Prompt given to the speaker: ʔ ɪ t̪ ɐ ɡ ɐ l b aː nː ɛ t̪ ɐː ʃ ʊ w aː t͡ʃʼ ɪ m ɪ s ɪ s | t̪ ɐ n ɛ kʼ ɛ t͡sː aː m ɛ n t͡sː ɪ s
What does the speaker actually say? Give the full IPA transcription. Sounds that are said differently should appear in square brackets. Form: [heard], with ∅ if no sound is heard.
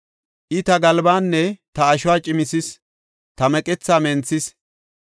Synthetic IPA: ʔ ɪ t̪ ɐ ɡ ɐ l b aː nː ɛ t̪ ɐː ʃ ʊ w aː t͡ʃʼ ɪ m ɪ s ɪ s | t̪ ɐ [m] ɛ kʼ ɛ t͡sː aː m ɛ n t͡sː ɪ s